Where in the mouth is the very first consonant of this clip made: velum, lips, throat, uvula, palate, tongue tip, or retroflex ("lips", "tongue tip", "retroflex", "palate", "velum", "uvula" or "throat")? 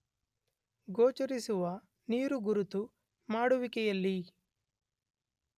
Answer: velum